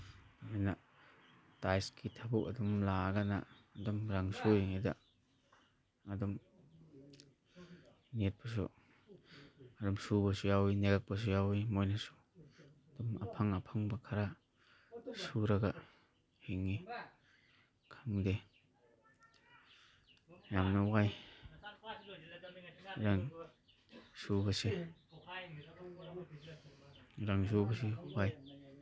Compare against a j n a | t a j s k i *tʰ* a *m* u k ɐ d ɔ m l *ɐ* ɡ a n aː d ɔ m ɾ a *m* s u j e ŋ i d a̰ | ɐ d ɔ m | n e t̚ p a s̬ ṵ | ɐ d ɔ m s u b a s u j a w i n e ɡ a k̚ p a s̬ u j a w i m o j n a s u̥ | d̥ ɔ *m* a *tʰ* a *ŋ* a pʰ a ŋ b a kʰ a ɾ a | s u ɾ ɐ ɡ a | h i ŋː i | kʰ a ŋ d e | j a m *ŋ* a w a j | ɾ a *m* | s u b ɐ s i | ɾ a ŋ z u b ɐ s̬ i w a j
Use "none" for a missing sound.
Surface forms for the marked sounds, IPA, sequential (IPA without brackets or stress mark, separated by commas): tʰ, b, a, ŋ, m, pʰ, ŋ, n, ŋ